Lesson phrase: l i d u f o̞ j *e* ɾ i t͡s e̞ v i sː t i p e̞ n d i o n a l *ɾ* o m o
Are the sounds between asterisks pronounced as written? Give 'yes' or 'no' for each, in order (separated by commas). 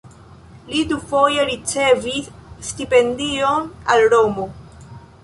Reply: yes, yes